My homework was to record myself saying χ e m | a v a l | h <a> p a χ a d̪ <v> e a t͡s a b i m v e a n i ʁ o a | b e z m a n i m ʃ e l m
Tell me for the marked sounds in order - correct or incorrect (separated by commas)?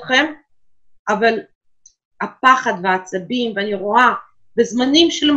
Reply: correct, correct